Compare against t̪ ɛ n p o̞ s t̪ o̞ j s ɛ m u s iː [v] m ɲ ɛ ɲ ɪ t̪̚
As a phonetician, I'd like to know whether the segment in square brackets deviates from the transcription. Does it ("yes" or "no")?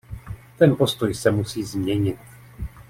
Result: yes